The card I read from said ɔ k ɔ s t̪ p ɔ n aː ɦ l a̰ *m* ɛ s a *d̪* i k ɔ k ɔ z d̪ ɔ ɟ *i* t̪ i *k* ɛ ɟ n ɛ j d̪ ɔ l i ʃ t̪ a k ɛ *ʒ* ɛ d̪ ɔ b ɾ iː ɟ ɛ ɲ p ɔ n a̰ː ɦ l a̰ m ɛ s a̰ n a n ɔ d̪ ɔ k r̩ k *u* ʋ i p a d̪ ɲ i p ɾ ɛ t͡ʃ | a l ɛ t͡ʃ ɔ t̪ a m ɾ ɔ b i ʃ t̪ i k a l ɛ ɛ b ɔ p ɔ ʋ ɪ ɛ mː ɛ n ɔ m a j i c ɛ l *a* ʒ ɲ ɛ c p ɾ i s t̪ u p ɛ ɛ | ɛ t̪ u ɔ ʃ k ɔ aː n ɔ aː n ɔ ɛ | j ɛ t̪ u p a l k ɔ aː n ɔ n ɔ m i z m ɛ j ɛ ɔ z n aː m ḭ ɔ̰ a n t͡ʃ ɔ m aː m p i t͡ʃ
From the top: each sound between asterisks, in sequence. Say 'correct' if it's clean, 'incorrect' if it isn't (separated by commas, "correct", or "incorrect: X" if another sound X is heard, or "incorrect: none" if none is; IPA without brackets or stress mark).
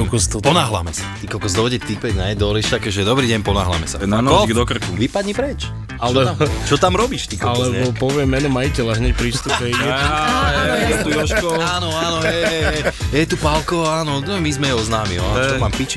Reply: correct, incorrect: t̪, incorrect: ɛ, incorrect: p, correct, correct, correct